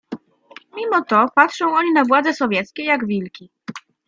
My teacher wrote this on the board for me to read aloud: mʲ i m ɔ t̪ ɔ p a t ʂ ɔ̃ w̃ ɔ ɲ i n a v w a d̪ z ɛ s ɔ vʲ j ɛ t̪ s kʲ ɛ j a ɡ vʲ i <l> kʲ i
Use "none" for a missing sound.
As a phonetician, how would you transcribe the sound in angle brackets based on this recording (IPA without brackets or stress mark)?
l